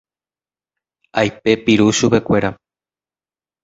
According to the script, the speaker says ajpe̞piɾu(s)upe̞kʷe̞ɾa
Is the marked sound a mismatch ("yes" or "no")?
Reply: yes